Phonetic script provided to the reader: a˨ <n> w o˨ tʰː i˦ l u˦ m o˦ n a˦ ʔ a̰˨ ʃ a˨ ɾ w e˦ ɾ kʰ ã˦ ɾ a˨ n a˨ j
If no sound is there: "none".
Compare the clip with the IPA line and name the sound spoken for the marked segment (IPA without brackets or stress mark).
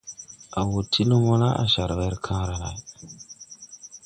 none